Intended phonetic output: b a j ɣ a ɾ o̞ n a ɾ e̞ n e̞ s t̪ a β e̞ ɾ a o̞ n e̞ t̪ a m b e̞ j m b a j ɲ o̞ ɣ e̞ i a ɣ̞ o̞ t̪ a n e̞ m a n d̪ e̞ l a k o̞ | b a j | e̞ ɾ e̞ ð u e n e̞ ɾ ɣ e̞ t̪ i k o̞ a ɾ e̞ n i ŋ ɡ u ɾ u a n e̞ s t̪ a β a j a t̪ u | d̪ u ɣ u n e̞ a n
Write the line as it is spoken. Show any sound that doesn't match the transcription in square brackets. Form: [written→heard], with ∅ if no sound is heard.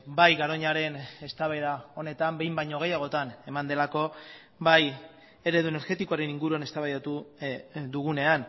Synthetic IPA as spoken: b a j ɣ a ɾ o̞ [n→ɲ] a ɾ e̞ n e̞ s t̪ a β e̞ ɾ a o̞ n e̞ t̪ a m b e̞ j m b a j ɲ o̞ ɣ e̞ [i→j] a ɣ̞ o̞ t̪ a n e̞ m a n d̪ e̞ l a k o̞ | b a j | e̞ ɾ e̞ ð u e n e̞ ɾ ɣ e̞ t̪ i k o̞ a ɾ e̞ n i ŋ ɡ u ɾ u a n e̞ s t̪ a β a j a t̪ u | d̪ u ɣ u n e̞ a n